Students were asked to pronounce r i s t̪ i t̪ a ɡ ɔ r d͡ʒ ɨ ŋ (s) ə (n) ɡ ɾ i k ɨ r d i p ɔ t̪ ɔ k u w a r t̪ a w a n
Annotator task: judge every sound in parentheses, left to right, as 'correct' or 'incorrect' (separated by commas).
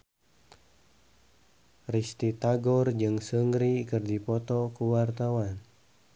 correct, incorrect